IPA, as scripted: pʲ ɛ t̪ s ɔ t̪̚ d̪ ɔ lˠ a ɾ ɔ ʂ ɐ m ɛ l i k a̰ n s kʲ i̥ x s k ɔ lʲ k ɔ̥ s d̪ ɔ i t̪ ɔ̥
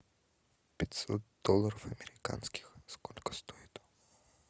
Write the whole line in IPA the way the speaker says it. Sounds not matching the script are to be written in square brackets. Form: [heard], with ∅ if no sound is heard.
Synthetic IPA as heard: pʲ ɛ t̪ s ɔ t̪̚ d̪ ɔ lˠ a ɾ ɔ [f] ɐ m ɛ [ɾ] i k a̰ n s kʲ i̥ x s k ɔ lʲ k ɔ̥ s [t̪] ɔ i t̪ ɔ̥